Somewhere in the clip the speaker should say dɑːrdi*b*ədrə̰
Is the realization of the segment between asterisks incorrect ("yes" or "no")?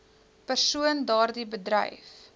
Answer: no